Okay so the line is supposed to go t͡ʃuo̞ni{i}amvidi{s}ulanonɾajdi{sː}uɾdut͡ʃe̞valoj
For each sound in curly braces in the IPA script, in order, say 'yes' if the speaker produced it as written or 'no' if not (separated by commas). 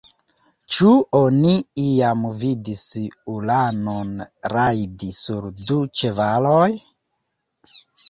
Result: yes, yes, no